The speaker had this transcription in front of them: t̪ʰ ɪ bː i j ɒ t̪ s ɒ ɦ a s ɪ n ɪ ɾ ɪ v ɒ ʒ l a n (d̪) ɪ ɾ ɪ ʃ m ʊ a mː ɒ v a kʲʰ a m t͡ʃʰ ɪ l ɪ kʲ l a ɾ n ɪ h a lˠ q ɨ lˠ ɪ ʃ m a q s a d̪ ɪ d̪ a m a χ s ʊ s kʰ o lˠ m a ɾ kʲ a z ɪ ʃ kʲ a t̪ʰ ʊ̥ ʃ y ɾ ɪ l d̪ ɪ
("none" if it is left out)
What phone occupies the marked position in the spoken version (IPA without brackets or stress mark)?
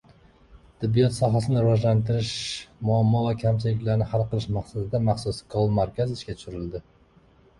t̪